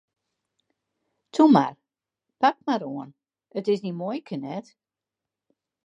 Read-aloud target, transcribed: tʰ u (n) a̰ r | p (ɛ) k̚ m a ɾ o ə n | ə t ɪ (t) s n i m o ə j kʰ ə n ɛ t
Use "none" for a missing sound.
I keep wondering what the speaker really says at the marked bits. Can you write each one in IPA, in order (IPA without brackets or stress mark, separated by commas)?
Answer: m, a, none